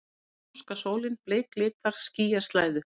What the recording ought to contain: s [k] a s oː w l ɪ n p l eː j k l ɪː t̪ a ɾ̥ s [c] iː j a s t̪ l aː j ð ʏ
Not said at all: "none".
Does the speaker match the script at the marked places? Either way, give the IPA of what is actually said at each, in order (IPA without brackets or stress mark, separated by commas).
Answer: k, c